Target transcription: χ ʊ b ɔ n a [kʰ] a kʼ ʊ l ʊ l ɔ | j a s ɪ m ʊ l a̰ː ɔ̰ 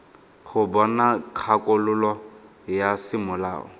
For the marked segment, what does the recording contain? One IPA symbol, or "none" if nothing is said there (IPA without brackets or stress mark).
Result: kʰ